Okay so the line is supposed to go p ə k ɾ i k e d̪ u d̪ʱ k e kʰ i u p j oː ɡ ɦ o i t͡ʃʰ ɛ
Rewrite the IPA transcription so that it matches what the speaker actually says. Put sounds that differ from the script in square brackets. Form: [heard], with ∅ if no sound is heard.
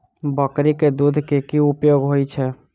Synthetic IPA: [b] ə k ɾ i k e d̪ u d̪ʱ k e [k] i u p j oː ɡ ɦ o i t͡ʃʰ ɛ